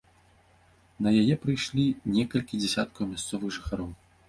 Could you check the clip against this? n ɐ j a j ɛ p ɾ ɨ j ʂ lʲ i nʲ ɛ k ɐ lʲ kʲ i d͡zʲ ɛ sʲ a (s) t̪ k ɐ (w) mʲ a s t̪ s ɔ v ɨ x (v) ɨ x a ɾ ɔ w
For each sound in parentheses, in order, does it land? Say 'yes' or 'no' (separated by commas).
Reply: no, yes, no